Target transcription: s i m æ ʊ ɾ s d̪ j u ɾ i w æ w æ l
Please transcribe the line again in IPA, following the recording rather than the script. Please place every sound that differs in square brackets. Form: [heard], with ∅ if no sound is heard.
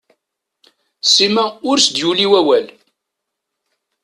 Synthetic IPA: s i m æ ʊ ɾ s d̪ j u [l] i w æ w æ l